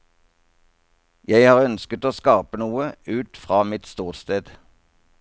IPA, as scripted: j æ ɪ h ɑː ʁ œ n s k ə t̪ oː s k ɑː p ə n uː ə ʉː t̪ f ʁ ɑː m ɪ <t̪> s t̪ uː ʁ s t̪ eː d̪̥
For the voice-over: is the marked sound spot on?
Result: yes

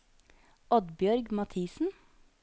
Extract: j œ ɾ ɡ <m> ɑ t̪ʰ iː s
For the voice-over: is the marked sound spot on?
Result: yes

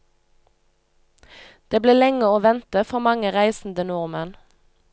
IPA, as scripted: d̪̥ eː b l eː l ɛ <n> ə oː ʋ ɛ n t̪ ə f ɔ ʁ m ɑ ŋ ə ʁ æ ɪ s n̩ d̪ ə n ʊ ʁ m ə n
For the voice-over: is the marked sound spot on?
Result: no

